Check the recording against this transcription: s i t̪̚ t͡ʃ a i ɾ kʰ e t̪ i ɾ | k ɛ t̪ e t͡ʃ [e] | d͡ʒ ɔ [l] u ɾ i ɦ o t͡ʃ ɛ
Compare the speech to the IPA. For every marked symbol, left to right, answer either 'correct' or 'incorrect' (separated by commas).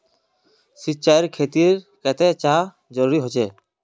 incorrect, incorrect